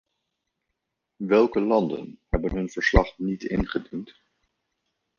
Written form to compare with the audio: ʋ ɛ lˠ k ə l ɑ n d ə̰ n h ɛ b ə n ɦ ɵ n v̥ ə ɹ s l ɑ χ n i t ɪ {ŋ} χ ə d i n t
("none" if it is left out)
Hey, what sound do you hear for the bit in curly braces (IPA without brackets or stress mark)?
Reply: n